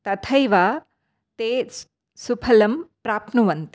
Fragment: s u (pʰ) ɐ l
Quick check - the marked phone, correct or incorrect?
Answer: correct